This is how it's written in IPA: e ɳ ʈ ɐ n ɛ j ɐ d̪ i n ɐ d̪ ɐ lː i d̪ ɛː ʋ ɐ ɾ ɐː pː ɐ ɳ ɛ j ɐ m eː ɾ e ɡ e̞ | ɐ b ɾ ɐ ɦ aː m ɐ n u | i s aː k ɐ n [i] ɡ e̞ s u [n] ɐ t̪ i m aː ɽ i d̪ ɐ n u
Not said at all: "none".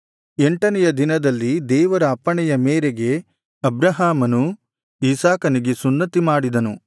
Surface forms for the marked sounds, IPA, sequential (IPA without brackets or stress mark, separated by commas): i, nː